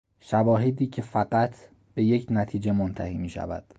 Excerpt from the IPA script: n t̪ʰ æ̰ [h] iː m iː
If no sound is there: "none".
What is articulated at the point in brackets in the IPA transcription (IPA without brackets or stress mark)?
h